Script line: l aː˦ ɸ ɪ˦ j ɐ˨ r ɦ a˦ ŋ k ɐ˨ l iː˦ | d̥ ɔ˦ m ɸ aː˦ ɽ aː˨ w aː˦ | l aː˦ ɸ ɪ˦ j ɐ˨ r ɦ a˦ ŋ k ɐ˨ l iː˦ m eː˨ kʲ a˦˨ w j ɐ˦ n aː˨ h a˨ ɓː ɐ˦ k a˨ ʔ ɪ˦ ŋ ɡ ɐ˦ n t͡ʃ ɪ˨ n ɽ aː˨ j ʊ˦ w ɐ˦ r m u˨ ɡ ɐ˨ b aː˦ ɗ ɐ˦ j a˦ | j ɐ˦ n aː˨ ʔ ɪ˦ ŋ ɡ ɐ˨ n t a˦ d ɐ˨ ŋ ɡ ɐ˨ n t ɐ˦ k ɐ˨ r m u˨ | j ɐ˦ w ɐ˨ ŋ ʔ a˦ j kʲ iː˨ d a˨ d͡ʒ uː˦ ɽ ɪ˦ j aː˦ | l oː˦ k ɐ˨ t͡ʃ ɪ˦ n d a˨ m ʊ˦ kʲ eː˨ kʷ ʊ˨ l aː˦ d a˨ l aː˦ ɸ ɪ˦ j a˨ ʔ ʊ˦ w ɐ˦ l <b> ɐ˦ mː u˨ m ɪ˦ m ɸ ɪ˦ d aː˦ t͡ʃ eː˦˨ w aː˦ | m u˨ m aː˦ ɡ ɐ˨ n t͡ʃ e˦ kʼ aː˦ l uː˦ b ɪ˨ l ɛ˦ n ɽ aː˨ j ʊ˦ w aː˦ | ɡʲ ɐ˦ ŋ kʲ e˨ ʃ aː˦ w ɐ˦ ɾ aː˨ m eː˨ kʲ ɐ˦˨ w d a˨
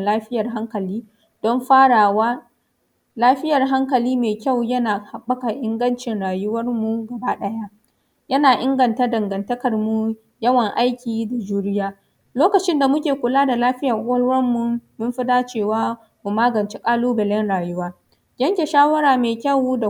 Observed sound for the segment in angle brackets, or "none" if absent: w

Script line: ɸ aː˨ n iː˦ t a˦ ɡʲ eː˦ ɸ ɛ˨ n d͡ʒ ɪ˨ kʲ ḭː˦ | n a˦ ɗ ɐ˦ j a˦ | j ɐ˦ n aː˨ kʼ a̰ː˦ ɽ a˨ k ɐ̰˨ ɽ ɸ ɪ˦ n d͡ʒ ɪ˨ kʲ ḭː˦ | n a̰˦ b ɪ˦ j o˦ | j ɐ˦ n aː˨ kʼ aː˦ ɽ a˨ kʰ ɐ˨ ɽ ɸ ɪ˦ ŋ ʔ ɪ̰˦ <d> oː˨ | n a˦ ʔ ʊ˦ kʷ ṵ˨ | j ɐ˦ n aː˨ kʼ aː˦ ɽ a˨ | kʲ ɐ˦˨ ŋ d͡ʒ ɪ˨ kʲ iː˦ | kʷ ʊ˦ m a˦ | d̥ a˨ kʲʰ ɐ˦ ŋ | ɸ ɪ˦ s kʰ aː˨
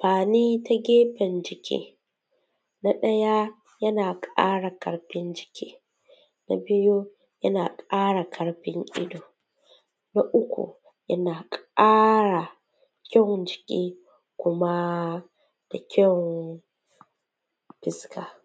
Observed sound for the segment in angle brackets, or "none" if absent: d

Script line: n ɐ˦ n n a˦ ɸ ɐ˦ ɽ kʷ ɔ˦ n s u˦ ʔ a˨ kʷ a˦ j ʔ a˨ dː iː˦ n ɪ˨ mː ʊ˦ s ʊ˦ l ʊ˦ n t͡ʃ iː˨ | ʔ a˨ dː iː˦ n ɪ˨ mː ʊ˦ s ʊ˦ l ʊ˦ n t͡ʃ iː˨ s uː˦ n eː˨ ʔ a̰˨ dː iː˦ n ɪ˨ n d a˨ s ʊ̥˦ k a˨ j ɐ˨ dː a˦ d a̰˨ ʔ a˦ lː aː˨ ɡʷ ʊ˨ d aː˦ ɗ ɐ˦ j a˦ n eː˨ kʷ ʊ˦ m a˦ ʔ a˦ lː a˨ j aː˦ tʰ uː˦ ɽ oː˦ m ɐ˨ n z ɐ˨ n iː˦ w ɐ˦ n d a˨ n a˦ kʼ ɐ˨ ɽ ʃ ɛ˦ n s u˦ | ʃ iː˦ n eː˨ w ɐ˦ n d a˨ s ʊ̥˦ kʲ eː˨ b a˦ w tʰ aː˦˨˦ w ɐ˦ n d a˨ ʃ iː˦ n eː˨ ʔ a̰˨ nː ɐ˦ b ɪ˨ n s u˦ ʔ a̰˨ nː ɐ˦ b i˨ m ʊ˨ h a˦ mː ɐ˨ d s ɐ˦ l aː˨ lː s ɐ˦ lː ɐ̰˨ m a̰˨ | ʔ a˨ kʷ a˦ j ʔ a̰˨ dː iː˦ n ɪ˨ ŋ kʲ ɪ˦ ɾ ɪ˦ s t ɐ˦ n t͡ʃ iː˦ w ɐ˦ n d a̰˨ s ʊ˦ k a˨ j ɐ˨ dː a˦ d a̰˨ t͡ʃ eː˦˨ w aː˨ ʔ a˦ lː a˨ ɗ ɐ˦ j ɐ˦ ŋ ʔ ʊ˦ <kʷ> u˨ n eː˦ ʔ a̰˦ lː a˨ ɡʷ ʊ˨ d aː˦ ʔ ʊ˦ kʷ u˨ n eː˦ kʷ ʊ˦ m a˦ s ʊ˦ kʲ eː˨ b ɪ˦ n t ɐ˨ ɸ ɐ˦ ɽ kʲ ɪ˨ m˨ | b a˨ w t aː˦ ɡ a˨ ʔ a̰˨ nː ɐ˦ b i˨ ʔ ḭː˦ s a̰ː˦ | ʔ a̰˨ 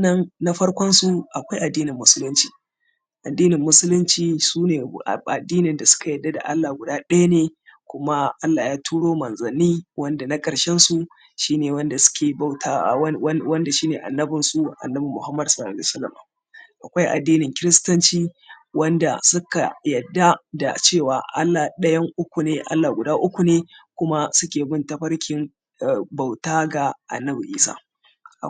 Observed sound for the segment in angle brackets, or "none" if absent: kʷ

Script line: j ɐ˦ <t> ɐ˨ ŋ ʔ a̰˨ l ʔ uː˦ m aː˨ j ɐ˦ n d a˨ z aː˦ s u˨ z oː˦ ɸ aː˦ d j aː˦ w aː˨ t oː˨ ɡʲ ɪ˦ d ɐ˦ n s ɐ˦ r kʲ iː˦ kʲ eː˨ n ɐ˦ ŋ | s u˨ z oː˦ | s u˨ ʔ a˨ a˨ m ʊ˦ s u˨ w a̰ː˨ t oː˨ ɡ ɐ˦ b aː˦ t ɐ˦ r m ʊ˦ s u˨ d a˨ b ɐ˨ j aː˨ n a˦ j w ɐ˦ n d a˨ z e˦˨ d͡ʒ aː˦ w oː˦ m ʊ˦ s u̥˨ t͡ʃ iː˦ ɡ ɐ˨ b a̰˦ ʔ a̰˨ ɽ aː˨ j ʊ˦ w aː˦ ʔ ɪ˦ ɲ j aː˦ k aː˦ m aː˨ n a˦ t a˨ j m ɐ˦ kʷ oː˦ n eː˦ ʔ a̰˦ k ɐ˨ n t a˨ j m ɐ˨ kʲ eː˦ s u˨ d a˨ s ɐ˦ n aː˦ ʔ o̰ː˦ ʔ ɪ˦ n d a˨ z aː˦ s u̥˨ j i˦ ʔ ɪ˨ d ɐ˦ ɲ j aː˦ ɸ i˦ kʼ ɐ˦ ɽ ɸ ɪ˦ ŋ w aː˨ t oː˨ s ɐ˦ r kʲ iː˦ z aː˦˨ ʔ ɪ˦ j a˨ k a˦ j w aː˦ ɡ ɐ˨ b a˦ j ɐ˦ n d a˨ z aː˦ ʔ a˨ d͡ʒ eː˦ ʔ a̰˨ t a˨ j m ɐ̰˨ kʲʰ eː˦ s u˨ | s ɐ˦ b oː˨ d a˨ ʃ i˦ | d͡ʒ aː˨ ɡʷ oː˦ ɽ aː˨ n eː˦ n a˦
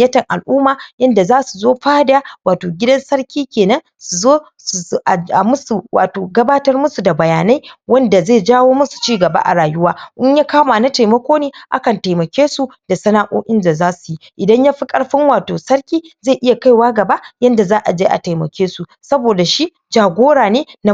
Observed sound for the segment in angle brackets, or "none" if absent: t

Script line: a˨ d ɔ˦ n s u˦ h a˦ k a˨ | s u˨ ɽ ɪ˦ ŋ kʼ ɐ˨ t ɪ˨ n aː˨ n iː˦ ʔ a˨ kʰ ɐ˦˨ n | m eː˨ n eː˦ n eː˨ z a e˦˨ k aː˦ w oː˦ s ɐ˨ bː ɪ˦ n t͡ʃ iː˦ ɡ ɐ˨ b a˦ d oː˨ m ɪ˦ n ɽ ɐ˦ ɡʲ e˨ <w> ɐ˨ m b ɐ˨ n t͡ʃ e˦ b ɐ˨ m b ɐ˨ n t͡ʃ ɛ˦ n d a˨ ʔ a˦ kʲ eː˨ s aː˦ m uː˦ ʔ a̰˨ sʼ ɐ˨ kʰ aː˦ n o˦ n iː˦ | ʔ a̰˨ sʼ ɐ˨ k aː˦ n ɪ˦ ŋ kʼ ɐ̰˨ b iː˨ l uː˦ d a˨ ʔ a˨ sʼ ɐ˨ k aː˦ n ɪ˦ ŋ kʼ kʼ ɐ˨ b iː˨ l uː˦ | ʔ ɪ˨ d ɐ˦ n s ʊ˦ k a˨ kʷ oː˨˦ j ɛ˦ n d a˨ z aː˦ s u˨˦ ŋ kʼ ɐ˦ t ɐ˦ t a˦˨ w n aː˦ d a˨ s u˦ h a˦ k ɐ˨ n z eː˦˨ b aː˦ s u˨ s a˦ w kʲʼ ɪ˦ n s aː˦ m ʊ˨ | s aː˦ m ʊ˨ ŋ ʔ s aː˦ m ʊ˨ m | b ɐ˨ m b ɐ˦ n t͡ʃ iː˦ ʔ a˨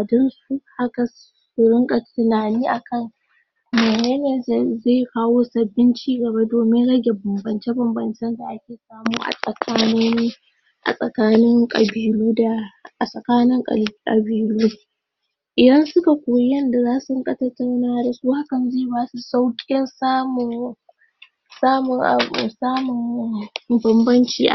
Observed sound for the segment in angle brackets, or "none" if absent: b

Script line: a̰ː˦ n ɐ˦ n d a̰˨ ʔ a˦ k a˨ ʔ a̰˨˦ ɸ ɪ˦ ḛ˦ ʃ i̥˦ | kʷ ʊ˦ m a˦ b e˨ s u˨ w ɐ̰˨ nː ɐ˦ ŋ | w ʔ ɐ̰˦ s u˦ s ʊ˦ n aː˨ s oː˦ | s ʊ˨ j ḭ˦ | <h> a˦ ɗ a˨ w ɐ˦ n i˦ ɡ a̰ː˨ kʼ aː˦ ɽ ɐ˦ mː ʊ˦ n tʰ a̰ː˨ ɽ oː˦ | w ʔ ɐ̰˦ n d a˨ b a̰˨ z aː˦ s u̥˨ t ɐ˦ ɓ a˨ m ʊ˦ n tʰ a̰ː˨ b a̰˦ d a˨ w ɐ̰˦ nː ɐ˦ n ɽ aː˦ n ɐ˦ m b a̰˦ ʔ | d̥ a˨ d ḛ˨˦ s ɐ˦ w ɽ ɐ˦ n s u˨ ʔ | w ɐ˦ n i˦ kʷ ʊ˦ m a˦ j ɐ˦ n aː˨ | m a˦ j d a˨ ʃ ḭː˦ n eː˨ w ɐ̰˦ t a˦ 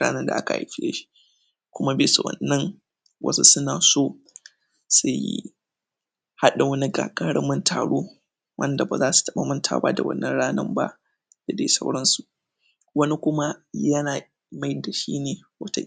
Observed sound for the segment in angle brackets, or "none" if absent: h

